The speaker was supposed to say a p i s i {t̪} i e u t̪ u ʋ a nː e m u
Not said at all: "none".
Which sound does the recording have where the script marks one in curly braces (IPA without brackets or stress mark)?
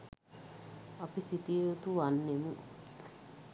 t̪